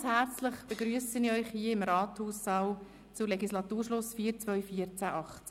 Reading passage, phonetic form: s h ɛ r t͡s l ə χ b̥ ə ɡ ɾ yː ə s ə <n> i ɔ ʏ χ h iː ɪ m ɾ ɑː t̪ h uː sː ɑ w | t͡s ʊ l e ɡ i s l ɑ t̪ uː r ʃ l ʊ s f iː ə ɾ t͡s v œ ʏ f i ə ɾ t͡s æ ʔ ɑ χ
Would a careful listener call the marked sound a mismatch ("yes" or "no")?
no